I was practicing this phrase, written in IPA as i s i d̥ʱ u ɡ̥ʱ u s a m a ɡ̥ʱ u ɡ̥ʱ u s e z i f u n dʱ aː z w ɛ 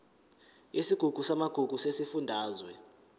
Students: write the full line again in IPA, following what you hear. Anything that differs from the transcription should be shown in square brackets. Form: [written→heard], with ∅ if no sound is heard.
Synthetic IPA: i s i [d̥ʱ→ɡ̥ʱ] u ɡ̥ʱ u s a m a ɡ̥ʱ u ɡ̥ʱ u s e [z→s] i f u n dʱ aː z w ɛ